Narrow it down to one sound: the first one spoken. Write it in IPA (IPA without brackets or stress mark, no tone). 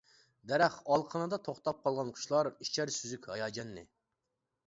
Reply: d̪